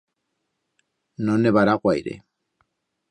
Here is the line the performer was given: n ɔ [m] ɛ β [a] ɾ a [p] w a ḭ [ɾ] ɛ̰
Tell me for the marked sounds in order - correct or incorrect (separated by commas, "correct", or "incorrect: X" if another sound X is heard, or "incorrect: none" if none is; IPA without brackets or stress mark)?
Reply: incorrect: n, correct, incorrect: k, correct